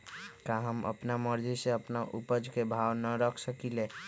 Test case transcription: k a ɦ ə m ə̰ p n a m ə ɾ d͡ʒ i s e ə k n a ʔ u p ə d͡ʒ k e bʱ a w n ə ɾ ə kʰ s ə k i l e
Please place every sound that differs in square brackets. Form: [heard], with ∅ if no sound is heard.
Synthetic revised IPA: k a ɦ ə m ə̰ p n a m ə ɾ d͡ʒ i s e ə [p] n a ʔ u p ə d͡ʒ k e bʱ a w n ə ɾ ə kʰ s ə k i l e